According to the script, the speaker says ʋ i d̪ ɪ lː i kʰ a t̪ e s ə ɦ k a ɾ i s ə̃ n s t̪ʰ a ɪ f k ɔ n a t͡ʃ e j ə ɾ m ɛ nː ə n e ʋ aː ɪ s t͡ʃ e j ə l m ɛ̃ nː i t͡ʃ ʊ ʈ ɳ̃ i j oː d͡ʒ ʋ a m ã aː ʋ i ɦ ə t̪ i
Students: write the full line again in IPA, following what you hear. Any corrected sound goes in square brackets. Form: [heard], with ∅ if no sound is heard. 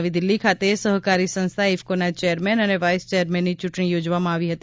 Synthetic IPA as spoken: ʋ i d̪ ɪ lː i kʰ a t̪ e s ə ɦ k a ɾ i s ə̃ n s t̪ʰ a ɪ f k [o] n a t͡ʃ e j ə ɾ m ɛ [n] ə n e ʋ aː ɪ s t͡ʃ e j ə [ɾ] m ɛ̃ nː i t͡ʃ ʊ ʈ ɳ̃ i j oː d͡ʒ ʋ a m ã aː ʋ i ɦ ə t̪ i